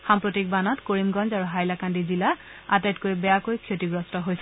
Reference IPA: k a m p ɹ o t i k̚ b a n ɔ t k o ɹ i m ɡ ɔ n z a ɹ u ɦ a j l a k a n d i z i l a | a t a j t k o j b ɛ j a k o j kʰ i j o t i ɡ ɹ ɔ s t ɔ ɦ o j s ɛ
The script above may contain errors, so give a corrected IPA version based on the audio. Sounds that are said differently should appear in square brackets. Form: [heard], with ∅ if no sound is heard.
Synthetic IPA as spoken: [x] a m p ɹ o t i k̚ b a n ɔ t k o ɹ i m ɡ ɔ n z a ɹ u ɦ a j l a k a n d i z i l a | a t a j t k o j b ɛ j a k o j kʰ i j o t i ɡ ɹ ɔ s t ɔ ɦ o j s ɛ